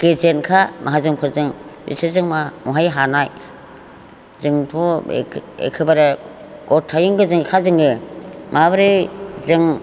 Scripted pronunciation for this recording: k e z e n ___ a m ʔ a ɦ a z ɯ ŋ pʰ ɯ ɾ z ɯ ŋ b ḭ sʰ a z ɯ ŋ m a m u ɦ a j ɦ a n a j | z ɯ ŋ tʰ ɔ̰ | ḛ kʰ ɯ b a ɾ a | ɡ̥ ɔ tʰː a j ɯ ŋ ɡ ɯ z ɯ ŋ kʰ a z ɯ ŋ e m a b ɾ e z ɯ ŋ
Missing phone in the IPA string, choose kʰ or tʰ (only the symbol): kʰ